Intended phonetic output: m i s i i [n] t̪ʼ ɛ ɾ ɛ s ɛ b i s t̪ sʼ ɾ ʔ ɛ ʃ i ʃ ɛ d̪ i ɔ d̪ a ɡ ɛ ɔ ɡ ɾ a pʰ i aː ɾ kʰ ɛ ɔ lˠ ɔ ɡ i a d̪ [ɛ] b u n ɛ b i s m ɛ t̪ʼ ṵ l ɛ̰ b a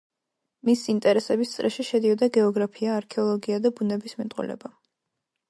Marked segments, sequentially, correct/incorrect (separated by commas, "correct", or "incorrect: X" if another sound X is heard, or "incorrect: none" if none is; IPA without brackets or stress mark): correct, incorrect: a